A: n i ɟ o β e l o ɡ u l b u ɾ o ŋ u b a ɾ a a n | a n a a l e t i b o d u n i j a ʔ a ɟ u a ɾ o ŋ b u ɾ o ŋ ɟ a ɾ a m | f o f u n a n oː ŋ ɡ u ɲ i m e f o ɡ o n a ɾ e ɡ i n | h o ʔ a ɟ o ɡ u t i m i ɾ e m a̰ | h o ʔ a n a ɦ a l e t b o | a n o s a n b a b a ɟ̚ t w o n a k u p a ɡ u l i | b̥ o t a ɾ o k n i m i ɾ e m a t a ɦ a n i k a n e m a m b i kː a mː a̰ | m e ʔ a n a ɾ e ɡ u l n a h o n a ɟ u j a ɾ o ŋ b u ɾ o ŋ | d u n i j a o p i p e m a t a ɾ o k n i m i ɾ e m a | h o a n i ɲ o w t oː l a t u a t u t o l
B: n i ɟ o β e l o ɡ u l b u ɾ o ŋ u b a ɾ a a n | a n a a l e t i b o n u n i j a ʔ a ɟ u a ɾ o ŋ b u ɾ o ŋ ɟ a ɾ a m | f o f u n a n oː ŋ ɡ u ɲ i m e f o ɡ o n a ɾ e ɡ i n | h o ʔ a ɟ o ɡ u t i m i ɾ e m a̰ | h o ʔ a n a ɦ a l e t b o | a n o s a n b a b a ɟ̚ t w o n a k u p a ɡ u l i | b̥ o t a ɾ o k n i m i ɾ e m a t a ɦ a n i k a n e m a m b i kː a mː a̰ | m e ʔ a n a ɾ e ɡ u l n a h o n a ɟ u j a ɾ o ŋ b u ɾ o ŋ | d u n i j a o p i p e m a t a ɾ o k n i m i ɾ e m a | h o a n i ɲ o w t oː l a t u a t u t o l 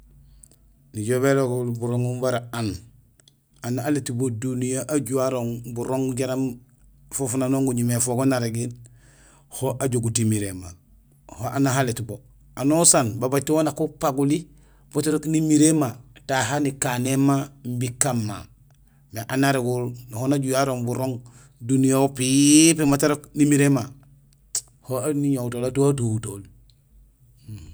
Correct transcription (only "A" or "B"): A